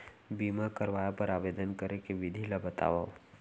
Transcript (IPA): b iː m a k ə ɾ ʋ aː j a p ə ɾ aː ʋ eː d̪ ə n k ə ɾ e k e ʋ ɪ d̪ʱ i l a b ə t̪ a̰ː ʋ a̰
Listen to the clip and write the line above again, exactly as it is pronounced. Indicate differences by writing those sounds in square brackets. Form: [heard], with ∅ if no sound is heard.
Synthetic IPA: b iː m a k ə ɾ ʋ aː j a p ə ɾ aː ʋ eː d̪ ə n k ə ɾ e k e ʋ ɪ d̪ʱ i l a b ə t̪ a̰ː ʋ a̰